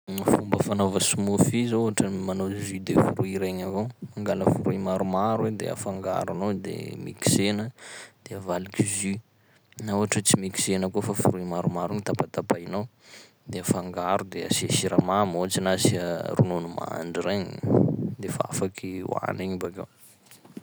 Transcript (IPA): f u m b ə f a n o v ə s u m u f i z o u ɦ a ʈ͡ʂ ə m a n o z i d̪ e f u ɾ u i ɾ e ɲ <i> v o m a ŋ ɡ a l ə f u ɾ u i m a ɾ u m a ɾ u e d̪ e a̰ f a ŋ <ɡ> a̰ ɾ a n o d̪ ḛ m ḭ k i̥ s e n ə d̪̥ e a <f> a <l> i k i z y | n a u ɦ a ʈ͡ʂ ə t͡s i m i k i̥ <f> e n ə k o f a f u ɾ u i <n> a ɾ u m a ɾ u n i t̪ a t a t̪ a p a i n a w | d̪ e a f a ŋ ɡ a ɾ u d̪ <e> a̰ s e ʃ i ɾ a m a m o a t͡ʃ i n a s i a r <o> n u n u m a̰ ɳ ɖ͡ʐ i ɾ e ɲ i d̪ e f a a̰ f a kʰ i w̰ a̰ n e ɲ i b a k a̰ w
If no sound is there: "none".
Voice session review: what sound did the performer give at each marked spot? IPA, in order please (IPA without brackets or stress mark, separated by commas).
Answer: a, ɡ, v, l, s, m, e, u